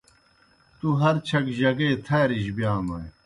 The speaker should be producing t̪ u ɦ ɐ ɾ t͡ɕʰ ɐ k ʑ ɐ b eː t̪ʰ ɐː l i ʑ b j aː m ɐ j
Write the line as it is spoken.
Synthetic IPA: t̪ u ɦ ɐ ɾ t͡ɕʰ ɐ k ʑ ɐ ɡ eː t̪ʰ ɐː ɾ i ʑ b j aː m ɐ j